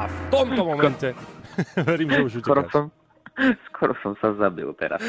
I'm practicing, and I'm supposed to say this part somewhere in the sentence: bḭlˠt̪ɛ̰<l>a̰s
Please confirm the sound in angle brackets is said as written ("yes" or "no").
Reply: no